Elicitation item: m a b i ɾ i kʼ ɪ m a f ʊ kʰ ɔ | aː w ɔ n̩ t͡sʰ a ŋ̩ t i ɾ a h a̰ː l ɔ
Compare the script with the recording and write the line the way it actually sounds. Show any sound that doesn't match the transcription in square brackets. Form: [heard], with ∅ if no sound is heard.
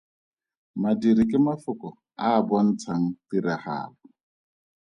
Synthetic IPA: m a [d] i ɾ i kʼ ɪ m a f ʊ [k] ɔ | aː [b] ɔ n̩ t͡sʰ a ŋ̩ t i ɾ a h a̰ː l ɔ

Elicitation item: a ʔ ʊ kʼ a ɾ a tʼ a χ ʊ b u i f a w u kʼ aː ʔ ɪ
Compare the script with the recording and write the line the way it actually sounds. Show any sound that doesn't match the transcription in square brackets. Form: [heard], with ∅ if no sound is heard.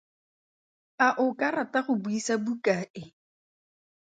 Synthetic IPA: a ʔ ʊ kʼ a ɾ a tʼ a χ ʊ b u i [s] a [b] u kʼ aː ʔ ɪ

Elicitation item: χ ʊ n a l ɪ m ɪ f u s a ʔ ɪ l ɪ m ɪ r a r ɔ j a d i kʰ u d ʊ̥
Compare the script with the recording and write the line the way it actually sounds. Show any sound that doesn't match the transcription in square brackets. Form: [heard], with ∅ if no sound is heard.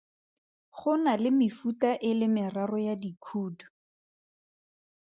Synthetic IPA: χ ʊ n a l ɪ m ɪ f u [t] a ʔ ɪ l ɪ m ɪ r a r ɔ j a d i kʰ [uː] d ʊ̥

